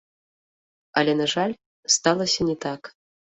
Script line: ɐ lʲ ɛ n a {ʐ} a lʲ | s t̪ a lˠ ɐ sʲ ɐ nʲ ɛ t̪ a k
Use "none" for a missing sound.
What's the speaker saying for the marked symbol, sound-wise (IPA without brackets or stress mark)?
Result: ʐ